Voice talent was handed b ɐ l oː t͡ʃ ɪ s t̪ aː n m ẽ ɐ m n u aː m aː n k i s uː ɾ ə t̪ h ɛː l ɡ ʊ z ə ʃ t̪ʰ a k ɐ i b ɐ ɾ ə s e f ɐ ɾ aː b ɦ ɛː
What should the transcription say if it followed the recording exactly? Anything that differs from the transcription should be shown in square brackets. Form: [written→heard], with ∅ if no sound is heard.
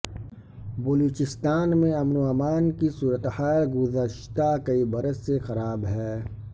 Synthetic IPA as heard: b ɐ l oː t͡ʃ ɪ s t̪ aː n m ẽ ɐ m n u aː m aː n k i s uː ɾ ə t̪ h [ɛː→aː] l ɡ ʊ z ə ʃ [t̪ʰ→t̪] a k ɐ i b ɐ ɾ ə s e [f→x] ɐ ɾ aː b ɦ ɛː